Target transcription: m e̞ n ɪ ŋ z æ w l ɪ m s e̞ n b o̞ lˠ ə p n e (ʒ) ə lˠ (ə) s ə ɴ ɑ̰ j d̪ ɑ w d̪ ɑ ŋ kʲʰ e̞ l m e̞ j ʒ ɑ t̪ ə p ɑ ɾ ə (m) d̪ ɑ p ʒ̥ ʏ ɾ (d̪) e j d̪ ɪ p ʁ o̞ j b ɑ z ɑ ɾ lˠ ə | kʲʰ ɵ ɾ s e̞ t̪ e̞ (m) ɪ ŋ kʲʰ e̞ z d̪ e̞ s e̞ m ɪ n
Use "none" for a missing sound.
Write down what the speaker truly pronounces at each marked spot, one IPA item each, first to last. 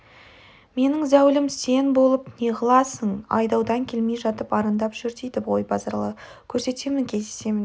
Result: ʁ, ɑ, n, t̪, m

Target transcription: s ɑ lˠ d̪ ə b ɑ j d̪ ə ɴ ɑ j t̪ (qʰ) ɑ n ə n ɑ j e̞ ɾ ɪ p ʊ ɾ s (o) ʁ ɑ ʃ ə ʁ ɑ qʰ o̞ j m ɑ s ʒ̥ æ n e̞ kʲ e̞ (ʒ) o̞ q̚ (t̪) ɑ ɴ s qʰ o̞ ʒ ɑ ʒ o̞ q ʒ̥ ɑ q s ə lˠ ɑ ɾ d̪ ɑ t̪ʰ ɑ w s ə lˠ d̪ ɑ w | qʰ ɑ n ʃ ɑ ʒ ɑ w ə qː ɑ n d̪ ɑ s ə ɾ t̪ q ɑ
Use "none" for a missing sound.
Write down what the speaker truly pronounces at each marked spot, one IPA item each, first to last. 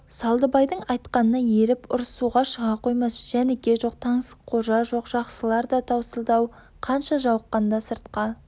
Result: q, u, ʒ, t̪ʰ

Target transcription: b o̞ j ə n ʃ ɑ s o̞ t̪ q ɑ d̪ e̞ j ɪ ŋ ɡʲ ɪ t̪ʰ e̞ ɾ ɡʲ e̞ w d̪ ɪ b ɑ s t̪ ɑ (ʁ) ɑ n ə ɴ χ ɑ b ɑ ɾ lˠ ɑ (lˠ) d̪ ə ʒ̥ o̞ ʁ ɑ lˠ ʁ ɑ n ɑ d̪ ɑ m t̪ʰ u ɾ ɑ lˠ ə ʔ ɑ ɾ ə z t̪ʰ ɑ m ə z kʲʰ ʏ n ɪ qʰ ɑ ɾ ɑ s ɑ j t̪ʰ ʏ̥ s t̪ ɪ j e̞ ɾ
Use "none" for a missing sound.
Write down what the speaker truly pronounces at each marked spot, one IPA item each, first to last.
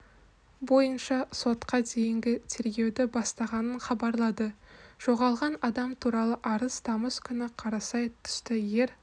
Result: ʁ, none

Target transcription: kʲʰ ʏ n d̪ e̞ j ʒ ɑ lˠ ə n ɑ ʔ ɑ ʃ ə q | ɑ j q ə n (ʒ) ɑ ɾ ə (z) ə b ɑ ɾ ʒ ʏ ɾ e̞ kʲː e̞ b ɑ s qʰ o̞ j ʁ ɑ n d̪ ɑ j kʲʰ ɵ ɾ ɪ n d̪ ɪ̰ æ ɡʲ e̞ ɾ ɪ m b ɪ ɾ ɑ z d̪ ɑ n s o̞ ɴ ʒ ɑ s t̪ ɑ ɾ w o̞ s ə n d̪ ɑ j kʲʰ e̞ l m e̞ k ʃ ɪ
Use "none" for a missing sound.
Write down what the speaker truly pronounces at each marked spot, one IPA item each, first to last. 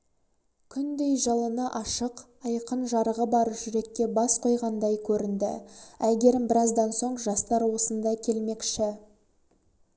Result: ʒ, ʁ

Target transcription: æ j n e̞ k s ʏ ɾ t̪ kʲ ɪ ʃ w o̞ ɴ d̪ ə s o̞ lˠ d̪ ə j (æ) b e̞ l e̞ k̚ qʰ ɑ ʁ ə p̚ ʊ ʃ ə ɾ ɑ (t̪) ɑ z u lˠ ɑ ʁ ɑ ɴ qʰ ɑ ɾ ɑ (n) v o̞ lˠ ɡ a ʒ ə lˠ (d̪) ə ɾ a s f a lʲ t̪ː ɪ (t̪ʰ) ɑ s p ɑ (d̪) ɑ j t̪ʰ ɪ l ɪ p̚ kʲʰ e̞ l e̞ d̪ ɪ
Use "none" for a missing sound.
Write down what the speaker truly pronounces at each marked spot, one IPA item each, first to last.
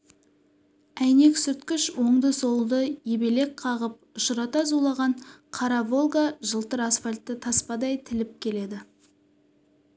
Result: e, t̪, none, t̪, t̪ʰ, d̪

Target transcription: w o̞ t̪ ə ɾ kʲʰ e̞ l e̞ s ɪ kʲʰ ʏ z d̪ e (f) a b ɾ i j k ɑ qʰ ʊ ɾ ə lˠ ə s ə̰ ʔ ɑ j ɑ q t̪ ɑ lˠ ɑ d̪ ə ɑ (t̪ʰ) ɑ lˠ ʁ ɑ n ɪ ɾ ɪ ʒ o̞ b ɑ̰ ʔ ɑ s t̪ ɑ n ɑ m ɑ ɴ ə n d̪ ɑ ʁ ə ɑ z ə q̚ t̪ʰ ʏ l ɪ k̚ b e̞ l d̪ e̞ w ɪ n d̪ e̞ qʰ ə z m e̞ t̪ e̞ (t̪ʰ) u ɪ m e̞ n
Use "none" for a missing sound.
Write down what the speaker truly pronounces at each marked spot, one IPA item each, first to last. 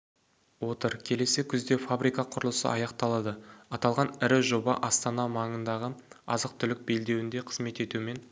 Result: f, t̪, t̪

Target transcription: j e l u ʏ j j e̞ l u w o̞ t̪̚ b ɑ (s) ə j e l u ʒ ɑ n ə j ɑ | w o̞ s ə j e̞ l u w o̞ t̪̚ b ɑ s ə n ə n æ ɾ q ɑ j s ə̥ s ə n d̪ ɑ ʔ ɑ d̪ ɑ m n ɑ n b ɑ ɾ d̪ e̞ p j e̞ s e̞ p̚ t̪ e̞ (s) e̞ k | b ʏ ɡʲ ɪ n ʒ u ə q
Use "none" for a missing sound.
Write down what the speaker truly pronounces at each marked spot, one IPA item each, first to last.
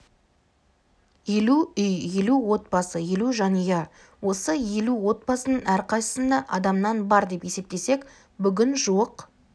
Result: s, s

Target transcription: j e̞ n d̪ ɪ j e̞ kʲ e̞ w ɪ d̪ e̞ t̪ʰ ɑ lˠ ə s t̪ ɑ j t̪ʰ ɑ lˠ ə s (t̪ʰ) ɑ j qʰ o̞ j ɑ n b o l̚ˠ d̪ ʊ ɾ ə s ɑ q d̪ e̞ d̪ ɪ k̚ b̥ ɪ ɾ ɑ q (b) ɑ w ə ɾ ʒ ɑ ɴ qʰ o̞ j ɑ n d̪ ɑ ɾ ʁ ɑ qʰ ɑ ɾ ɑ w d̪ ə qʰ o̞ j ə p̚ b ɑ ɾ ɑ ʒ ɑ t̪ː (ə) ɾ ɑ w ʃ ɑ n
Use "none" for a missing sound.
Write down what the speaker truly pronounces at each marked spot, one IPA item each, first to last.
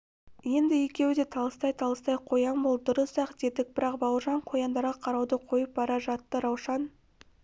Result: t̪, b, ə

